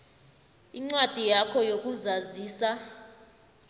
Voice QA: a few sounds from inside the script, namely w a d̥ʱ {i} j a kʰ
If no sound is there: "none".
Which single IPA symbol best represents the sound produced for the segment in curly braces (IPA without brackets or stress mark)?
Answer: i